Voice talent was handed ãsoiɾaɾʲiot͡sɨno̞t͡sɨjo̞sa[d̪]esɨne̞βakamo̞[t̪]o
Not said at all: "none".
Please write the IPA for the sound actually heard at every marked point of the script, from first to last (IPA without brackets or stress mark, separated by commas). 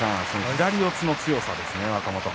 d̪, t̪